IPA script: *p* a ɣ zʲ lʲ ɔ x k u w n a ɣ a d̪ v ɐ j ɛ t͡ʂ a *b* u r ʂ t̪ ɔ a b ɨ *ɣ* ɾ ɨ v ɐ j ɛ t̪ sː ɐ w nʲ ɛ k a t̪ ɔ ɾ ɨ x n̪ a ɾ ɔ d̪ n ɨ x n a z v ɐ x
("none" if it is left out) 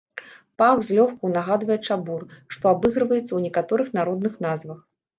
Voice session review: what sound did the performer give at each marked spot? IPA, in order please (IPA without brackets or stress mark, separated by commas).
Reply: p, b, ɣ